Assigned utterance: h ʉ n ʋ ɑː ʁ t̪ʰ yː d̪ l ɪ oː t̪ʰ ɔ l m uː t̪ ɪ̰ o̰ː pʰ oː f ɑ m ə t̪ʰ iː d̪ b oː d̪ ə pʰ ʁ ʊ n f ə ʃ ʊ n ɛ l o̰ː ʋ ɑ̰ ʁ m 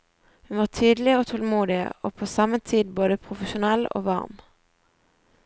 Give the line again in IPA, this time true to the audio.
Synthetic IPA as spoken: h ʉ n ʋ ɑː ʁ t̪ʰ yː d̪ l ɪ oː t̪ʰ ɔ l m uː d̪ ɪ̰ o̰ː pʰ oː s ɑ m ə t̪ʰ iː d̪ b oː d̪ ə pʰ ʁ ʊ f ə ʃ ʊ n ɛ l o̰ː ʋ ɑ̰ ʁ m